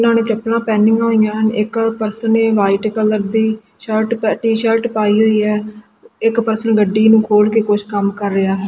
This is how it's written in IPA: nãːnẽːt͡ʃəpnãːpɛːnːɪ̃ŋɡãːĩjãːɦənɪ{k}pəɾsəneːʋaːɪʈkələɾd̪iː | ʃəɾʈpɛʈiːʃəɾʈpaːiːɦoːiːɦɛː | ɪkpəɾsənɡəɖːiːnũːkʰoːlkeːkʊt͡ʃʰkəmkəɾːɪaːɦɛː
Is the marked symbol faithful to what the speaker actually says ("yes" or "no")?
yes